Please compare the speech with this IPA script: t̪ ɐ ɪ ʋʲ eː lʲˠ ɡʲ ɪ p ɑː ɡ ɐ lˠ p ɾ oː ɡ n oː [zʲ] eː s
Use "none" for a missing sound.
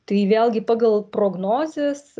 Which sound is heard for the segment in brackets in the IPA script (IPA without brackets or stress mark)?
zʲ